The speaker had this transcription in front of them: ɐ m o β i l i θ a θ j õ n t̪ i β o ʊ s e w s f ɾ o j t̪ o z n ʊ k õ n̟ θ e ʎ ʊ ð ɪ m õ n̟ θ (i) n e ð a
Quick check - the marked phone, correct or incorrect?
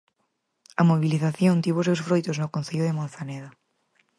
incorrect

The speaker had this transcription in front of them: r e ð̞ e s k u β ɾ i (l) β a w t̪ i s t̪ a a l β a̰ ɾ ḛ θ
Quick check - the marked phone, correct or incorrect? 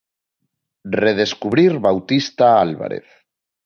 incorrect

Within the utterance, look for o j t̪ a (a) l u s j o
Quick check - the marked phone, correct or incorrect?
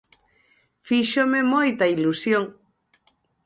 incorrect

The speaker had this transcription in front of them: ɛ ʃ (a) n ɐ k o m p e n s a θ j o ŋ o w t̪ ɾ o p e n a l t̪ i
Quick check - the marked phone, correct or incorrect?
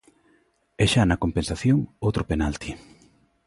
correct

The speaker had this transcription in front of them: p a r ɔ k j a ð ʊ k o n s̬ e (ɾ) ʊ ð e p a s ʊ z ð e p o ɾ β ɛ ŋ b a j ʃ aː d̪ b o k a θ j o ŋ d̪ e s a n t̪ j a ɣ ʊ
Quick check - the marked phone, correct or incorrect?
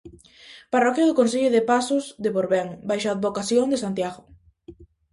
incorrect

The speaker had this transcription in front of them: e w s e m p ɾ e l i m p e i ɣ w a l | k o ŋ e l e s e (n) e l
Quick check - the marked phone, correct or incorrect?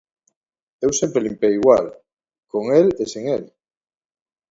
incorrect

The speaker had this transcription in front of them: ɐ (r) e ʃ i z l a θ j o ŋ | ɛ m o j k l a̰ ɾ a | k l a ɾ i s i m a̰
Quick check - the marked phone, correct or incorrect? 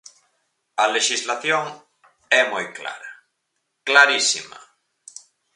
incorrect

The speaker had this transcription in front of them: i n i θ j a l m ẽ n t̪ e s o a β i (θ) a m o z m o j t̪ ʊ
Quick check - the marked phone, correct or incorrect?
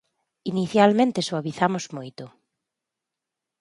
correct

